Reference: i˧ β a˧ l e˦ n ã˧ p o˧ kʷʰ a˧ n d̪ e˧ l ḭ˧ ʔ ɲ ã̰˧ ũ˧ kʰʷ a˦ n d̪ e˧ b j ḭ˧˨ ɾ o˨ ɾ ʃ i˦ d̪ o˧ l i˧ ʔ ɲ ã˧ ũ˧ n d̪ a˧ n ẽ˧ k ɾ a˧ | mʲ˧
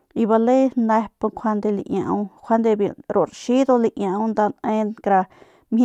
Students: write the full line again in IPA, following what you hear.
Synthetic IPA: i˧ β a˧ l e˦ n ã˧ p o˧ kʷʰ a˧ n d̪ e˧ l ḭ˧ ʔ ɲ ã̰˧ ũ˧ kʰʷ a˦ n d̪ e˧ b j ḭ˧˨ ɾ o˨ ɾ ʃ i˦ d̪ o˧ l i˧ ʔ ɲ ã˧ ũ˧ n d̪ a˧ n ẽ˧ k ɾ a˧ | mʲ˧